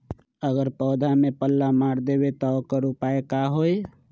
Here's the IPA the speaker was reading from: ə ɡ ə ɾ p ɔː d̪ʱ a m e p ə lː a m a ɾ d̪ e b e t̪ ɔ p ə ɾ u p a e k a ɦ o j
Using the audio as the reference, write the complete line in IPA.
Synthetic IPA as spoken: ə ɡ ə ɾ p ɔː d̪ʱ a m e p ə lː a m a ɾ d̪ e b e t̪ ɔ k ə ɾ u p a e k a ɦ o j